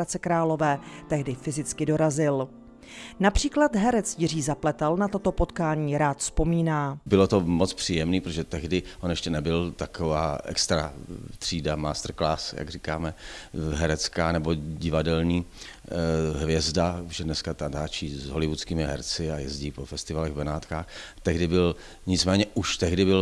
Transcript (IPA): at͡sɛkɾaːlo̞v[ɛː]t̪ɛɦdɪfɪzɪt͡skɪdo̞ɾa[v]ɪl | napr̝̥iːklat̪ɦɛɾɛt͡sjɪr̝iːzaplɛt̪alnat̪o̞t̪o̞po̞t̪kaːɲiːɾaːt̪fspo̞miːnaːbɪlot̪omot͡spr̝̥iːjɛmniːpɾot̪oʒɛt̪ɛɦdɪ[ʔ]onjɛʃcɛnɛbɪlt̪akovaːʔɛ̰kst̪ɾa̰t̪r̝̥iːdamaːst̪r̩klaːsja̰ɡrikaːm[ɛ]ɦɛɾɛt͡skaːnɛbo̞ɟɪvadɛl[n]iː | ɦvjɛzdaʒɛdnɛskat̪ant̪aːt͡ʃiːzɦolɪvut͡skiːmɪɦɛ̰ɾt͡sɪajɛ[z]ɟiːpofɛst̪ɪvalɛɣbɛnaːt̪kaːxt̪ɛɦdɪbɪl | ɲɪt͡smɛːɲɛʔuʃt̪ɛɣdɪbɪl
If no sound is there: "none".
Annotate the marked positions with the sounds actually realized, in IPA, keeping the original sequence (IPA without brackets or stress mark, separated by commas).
ɛː, z, ʔ, ɛ, ɲ, z